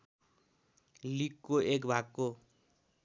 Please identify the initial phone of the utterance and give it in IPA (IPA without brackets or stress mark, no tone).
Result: l